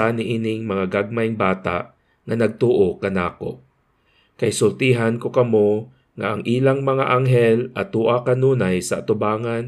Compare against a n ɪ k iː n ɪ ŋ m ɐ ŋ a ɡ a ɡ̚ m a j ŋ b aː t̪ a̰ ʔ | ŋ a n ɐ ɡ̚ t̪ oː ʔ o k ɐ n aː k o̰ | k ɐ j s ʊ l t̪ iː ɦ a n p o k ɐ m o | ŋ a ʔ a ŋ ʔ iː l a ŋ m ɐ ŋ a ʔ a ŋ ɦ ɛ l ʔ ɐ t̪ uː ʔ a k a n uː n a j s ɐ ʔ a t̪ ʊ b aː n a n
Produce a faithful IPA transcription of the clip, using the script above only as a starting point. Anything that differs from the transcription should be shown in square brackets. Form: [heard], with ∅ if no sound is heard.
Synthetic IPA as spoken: a n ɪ [ʔ] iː n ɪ ŋ m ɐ ŋ a ɡ a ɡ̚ m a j ŋ b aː t̪ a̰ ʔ | ŋ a n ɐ ɡ̚ t̪ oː ʔ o k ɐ n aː k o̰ | k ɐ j s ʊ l t̪ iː ɦ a n [k] o k ɐ m o | ŋ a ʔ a ŋ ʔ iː l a ŋ m ɐ ŋ a ʔ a ŋ ɦ ɛ l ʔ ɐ t̪ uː ʔ a k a n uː n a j s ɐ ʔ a t̪ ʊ b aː [ŋ] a n